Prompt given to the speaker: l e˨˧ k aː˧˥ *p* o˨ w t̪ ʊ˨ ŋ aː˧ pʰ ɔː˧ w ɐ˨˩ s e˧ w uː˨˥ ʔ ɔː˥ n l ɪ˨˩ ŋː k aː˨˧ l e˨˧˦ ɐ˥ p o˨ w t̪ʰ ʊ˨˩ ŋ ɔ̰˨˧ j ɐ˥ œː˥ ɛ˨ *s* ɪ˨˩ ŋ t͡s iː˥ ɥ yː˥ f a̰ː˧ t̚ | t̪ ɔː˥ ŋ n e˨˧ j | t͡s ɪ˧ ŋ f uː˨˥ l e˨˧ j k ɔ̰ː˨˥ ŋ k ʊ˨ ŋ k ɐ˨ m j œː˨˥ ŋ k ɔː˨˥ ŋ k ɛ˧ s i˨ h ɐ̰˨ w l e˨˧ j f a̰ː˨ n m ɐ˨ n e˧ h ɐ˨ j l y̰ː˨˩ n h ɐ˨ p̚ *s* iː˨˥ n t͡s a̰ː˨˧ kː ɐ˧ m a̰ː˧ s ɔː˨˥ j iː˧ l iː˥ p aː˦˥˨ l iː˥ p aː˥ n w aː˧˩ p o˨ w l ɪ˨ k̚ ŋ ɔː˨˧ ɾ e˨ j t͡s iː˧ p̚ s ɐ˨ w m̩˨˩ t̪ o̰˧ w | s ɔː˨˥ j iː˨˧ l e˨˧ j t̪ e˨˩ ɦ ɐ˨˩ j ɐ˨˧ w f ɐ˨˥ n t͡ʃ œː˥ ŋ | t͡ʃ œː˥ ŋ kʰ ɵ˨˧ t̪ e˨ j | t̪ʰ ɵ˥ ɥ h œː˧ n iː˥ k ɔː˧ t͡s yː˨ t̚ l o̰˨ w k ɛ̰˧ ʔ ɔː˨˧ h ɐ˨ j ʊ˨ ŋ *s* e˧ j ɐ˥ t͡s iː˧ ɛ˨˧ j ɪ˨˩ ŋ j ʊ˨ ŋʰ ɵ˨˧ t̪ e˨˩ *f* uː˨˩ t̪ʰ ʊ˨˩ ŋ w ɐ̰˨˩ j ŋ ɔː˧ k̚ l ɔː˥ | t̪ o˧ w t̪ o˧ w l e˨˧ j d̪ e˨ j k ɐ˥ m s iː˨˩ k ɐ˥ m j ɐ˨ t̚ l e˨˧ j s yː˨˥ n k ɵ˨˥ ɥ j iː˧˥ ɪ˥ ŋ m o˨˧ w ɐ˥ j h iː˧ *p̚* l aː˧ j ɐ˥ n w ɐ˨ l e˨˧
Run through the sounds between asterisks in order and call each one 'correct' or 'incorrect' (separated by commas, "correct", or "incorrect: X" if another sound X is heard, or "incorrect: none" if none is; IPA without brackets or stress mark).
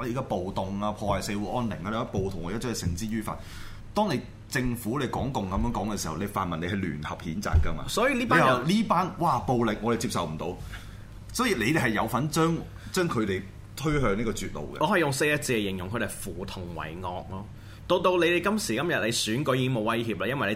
correct, correct, incorrect: h, correct, correct, correct